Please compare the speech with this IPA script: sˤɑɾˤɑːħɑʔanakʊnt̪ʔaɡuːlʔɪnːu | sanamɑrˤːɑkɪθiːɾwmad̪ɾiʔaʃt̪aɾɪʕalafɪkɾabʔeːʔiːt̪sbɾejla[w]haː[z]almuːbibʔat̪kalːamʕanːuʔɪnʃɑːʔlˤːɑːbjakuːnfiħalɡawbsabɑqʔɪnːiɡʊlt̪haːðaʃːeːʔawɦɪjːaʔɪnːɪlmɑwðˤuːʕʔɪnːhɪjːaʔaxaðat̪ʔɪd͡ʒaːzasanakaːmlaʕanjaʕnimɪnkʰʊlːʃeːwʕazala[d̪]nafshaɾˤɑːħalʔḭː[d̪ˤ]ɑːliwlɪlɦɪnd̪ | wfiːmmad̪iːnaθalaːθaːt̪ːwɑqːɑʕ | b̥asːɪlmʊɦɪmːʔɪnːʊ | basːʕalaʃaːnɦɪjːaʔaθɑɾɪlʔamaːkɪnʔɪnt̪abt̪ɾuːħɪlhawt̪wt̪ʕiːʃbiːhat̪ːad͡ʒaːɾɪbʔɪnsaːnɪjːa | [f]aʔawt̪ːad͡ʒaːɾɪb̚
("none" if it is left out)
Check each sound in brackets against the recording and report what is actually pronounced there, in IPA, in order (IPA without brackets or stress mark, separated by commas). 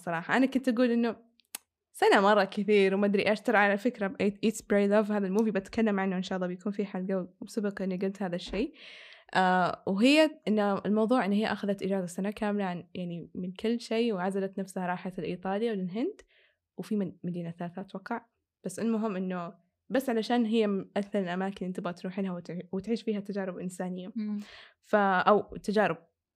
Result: v, ð, t̪, t̪ˤ, f